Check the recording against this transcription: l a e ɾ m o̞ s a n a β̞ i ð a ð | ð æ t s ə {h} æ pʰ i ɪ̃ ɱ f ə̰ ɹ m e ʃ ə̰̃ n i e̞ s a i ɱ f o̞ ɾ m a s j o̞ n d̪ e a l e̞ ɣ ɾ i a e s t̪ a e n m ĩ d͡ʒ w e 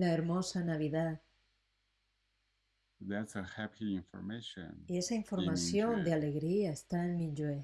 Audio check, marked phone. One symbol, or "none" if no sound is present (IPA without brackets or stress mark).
h